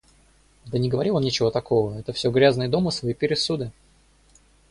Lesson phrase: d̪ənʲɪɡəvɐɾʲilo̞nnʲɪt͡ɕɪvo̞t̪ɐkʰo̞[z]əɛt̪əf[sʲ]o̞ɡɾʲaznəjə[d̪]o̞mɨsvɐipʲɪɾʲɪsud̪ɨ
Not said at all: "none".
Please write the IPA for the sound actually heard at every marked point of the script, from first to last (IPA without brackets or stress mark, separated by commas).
v, sʲ, d̪